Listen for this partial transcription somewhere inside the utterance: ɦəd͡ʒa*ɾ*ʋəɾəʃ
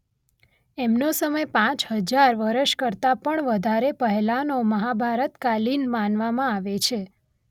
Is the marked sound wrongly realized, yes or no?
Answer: no